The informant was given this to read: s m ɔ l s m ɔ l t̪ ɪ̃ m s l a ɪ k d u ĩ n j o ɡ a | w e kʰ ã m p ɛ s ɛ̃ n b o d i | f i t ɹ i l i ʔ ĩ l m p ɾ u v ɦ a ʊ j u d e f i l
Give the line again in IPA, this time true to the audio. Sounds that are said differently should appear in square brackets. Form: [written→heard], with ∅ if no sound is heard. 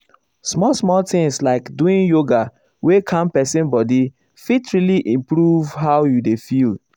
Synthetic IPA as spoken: s m ɔ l s m ɔ l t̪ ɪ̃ [m→ŋ] s l a ɪ k d u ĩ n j o ɡ a | w e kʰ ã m p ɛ s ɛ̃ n b [o→ɔ] d i | f i t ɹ i l i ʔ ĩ [l→∅] m p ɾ u v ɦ a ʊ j u d e f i l